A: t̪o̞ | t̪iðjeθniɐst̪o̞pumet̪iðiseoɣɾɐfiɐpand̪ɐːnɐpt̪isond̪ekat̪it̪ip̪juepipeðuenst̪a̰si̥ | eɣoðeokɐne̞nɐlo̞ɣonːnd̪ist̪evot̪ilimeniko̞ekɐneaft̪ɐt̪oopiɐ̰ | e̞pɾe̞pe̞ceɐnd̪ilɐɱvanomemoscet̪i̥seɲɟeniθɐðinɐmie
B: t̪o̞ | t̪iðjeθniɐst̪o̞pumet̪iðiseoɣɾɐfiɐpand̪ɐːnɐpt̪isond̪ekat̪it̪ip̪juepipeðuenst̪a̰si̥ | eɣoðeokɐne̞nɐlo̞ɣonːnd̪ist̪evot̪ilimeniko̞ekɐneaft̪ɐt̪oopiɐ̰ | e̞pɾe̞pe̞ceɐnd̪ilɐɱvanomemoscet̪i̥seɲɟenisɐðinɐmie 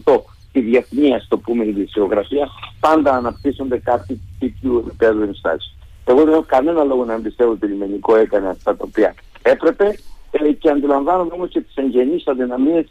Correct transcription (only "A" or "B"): B